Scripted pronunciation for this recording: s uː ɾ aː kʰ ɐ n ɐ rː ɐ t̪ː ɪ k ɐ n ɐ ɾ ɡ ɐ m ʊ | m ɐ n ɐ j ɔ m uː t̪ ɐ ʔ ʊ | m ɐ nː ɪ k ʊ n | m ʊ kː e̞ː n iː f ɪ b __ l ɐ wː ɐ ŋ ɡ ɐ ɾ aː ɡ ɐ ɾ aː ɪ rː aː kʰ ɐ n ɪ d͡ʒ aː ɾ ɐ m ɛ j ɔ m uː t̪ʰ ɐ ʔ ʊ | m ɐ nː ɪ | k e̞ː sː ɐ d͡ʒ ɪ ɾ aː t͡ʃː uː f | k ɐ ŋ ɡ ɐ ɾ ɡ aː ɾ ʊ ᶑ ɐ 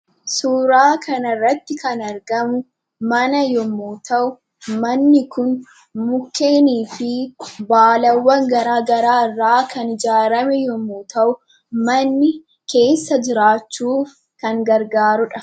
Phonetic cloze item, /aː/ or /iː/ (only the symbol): aː